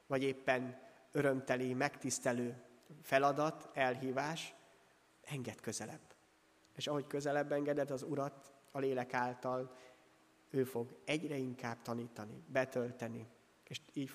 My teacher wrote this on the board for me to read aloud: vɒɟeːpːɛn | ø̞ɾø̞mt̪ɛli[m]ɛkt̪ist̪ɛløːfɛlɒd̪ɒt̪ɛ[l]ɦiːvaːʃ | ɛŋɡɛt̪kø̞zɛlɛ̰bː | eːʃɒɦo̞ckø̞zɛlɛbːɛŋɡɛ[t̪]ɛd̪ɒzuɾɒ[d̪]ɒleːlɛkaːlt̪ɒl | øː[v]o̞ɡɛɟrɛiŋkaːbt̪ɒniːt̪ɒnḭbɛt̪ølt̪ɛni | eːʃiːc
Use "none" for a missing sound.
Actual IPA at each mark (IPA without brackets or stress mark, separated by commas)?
m, l, d̪, t̪, f